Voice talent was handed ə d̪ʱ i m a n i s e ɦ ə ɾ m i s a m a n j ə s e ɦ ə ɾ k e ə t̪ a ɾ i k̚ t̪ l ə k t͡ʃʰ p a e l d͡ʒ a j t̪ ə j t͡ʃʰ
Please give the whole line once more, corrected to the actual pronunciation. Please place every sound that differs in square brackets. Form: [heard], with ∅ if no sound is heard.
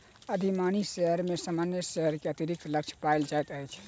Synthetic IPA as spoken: ə d̪ʱ i m a n i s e ɦ ə ɾ m [e] s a m a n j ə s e ɦ ə ɾ k e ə t̪ [i] ɾ i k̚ t̪ l ə k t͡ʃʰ p a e l d͡ʒ a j t̪ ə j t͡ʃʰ